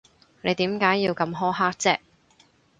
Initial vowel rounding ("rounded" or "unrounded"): unrounded